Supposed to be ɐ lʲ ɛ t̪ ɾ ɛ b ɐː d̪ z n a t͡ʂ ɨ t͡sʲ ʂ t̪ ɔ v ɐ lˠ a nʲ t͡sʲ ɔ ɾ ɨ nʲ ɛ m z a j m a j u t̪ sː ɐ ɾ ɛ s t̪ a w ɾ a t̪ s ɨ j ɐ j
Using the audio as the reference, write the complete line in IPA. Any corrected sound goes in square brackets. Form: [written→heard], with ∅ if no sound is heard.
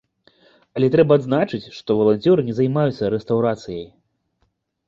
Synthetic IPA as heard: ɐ lʲ ɛ t̪ ɾ ɛ b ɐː d̪ z n a t͡ʂ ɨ t͡sʲ ʂ t̪ ɔ v ɐ lˠ a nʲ t͡sʲ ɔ ɾ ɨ nʲ ɛ [m→∅] z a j m a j u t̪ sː ɐ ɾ ɛ s t̪ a w ɾ a t̪ s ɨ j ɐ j